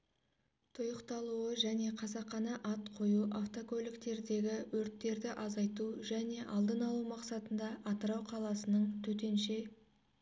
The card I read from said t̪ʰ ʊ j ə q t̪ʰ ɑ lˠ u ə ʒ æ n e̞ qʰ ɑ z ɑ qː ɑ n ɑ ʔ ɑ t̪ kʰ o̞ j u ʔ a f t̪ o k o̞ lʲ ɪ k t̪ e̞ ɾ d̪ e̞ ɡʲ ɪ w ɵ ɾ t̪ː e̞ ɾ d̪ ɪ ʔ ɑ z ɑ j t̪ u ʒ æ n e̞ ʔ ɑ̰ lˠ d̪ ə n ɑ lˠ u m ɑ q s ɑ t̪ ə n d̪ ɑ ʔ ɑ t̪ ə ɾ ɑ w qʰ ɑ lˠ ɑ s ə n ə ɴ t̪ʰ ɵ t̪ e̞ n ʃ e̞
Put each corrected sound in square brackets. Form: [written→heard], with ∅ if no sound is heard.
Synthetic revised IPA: t̪ʰ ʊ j ə q [t̪ʰ→t̪] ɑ lˠ u ə ʒ æ n e̞ qʰ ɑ z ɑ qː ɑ n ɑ ʔ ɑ t̪ [kʰ→qʰ] o̞ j u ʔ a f t̪ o k o̞ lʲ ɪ k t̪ e̞ ɾ d̪ e̞ ɡʲ ɪ w ɵ ɾ t̪ː e̞ ɾ d̪ ɪ ʔ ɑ z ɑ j t̪ u ʒ æ n e̞ ʔ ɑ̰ lˠ d̪ ə n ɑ lˠ u m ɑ q s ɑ t̪ ə n d̪ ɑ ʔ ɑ t̪ ə ɾ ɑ w qʰ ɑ lˠ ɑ s ə n ə ɴ t̪ʰ ɵ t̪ e̞ n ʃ e̞